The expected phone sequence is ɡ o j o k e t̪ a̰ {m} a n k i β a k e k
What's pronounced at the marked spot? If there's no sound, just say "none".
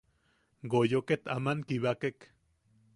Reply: m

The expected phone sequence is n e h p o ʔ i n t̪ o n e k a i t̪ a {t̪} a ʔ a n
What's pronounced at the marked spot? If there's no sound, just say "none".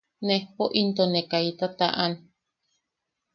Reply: t̪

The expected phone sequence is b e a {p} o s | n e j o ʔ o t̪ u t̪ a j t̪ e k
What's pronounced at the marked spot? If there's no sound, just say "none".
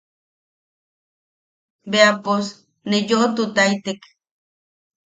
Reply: p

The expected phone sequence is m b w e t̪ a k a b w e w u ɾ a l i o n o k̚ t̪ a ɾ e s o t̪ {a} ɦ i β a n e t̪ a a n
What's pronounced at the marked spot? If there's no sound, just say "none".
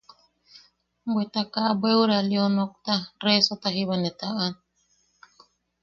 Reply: a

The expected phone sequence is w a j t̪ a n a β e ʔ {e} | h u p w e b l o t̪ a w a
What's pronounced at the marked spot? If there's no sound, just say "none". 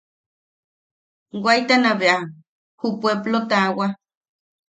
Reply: a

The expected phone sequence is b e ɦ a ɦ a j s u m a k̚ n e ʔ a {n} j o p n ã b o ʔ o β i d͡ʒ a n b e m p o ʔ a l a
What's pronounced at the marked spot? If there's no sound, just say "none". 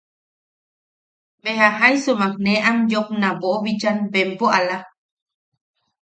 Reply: m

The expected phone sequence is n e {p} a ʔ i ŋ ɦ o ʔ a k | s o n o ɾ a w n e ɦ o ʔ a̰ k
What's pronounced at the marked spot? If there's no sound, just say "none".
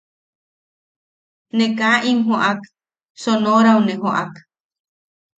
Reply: k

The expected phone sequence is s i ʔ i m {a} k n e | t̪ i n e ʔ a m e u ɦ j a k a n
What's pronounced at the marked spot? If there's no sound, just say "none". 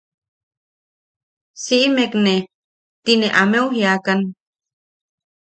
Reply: e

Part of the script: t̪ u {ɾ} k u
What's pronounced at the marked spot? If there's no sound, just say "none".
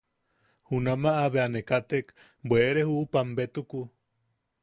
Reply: none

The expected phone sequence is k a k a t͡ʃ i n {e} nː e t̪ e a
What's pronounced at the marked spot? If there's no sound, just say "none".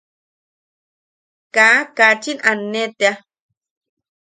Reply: a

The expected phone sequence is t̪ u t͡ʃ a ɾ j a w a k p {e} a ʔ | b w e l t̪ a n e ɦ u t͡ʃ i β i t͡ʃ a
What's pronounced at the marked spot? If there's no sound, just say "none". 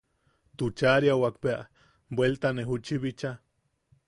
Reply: e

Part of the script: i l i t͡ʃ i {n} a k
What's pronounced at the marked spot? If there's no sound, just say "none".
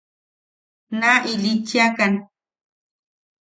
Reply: none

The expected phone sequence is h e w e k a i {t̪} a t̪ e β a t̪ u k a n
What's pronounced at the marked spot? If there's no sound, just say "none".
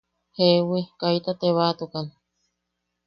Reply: t̪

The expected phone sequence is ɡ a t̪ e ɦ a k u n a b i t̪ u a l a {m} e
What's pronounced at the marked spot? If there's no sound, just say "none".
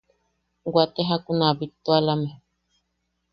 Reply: m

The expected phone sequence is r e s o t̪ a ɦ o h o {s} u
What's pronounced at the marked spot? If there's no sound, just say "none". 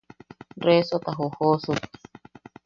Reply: s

